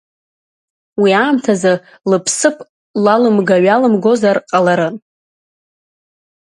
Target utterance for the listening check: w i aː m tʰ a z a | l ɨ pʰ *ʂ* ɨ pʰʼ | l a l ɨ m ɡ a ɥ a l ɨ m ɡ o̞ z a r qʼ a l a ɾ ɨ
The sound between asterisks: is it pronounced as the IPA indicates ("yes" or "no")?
no